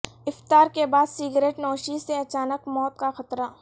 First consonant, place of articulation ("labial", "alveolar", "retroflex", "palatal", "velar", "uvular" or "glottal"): labial